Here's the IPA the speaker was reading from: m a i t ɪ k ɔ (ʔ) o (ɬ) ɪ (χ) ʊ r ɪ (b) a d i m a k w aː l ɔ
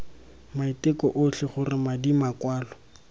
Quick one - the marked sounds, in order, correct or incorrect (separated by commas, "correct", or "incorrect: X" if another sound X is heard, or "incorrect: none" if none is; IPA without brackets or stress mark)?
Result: correct, correct, correct, incorrect: m